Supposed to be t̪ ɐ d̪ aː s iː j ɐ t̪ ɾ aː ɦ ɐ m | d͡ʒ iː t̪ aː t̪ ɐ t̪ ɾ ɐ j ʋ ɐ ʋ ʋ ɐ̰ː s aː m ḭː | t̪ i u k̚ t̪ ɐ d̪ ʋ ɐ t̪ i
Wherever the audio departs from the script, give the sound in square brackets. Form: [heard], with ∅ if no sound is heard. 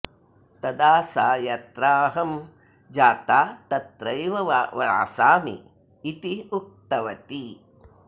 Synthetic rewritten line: t̪ ɐ d̪ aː s [aː] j ɐ t̪ ɾ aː ɦ ɐ m | d͡ʒ [aː] t̪ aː t̪ ɐ t̪ ɾ ɐ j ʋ ɐ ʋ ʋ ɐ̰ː s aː m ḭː | t̪ i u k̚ t̪ ɐ [∅] ʋ ɐ t̪ i